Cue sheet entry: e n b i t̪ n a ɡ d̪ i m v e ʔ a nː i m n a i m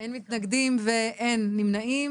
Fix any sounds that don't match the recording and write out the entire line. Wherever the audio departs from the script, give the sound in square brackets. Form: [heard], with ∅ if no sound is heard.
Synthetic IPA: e n [m] i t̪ n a ɡ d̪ i m v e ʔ [e] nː i m n a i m